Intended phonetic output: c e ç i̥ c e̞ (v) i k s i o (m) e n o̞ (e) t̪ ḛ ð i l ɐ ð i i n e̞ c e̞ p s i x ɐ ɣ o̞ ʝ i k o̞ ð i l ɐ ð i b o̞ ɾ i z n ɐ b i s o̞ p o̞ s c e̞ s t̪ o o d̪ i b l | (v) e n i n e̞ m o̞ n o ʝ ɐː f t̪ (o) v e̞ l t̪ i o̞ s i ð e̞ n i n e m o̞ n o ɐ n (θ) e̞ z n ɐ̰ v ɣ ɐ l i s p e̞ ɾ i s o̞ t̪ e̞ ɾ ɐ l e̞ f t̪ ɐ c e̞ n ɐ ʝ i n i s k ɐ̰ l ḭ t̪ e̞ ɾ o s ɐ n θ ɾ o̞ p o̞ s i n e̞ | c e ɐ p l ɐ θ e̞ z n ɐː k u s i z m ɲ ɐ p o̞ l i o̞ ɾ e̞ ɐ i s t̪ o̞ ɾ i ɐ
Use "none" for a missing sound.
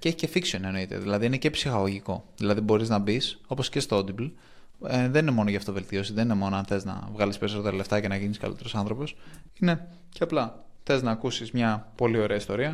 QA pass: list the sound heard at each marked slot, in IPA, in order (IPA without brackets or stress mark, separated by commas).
f, n, i, ð, o, θ